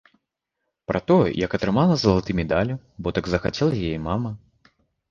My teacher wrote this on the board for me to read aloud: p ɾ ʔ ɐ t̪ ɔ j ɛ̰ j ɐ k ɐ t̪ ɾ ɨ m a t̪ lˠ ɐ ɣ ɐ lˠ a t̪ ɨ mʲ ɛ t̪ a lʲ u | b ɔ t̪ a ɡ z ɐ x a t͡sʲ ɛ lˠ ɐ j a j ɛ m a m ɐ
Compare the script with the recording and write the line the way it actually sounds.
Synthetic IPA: p ɾ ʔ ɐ t̪ ɔ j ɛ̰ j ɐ k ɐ t̪ ɾ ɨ m a lˠ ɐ z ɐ lˠ a t̪ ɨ mʲ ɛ d̪ a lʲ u | b ɔ t̪ a ɡ z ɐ x a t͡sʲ ɛ lˠ ɐ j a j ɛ m a m ɐ